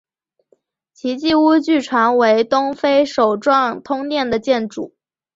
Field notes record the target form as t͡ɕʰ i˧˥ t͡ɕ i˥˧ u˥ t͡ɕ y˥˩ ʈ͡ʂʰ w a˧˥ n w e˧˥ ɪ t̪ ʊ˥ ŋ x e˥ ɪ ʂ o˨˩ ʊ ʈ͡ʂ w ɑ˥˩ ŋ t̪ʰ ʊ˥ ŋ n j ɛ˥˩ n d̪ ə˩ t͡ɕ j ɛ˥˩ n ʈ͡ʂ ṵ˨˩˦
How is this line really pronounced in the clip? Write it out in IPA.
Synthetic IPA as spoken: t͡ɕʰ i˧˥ t͡ɕ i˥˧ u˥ t͡ɕ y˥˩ ʈ͡ʂʰ w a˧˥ n w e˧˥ ɪ t̪ ʊ˥ ŋ f e˥ ɪ ʂ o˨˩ ʊ ʈ͡ʂ w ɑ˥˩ ŋ t̪ʰ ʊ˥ ŋ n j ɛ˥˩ n d̪ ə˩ t͡ɕ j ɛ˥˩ n ʈ͡ʂ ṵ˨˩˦

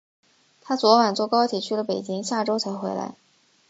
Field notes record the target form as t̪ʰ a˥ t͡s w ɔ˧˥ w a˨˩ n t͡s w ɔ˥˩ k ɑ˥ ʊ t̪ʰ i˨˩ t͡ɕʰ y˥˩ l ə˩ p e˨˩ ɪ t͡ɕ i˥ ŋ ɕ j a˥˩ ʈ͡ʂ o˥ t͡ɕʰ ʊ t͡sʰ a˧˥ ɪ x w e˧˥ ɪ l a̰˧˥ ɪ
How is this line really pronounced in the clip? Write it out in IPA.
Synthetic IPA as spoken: t̪ʰ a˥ t͡s w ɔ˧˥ w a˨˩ n t͡s w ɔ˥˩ k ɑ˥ ʊ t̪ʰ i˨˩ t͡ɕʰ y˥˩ l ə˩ p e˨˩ ɪ t͡ɕ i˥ ŋ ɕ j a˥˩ ʈ͡ʂ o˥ ʊ t͡sʰ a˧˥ ɪ x w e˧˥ ɪ l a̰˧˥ ɪ

